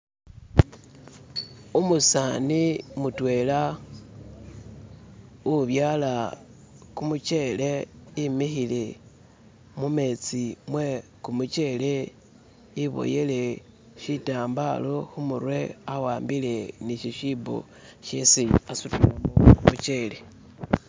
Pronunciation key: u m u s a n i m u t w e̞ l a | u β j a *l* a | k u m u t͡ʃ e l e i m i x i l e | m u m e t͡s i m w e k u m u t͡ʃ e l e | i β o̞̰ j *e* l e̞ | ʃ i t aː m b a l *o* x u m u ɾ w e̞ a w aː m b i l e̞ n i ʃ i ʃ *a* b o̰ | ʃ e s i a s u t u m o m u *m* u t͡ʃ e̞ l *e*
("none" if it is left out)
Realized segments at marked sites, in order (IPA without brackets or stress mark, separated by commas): l, e, o, i, m, e